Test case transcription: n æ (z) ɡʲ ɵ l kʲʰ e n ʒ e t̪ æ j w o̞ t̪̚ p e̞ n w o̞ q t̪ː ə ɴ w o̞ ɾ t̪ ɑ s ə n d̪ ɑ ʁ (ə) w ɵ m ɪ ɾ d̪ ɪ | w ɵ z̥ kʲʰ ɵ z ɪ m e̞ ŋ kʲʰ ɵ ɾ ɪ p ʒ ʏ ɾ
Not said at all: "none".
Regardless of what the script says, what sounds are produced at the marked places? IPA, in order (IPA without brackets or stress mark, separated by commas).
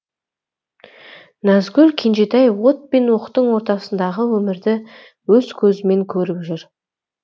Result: z, ə